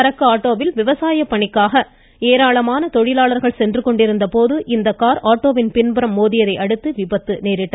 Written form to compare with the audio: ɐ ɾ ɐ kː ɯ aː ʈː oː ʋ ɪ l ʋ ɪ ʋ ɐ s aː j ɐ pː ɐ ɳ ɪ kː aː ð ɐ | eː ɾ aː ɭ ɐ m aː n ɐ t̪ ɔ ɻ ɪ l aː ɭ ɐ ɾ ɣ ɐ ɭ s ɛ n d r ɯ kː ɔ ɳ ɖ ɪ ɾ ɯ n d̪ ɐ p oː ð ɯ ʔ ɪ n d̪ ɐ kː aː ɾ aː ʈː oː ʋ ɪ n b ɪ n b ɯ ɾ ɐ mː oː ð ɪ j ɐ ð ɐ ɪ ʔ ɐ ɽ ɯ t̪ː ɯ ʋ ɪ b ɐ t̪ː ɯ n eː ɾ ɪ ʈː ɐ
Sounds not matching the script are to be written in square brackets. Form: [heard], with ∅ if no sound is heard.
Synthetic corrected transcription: ɐ ɾ ɐ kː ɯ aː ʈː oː ʋ ɪ l ʋ ɪ ʋ ɐ s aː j ɐ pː ɐ ɳ ɪ kː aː [ɣ] ɐ | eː ɾ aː ɭ ɐ m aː n ɐ t̪ ɔ ɻ ɪ l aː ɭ ɐ ɾ ɣ ɐ ɭ s ɛ n d r ɯ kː ɔ ɳ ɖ ɪ ɾ ɯ n d̪ ɐ p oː ð ɯ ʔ ɪ n d̪ ɐ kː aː ɾ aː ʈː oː ʋ ɪ n [p] ɪ n b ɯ ɾ ɐ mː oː ð ɪ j ɐ ð ɐ ɪ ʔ ɐ ɽ ɯ t̪ː ɯ ʋ ɪ b ɐ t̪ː ɯ n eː ɾ ɪ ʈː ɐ